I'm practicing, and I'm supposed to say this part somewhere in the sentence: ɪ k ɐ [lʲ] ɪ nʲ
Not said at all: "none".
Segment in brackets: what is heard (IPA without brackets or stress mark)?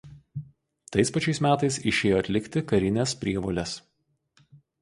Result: ɾʲ